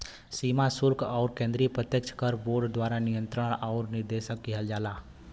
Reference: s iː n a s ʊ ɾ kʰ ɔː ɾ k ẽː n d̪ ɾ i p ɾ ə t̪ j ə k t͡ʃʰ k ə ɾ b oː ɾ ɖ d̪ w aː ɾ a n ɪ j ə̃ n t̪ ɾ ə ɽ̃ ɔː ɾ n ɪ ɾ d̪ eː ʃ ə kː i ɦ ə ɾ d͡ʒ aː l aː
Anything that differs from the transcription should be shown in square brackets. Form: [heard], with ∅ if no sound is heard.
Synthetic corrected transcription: s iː [m] a s ʊ ɾ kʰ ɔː ɾ k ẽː n d̪ ɾ i p ɾ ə t̪ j ə k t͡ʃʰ k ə ɾ b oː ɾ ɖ d̪ w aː ɾ a n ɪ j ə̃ n t̪ ɾ ə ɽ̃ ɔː ɾ n ɪ ɾ d̪ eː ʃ ə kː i ɦ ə [l] d͡ʒ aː l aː